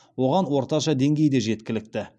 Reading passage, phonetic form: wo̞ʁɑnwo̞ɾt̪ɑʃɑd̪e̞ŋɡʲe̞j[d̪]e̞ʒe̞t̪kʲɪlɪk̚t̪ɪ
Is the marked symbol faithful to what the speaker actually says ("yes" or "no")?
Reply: yes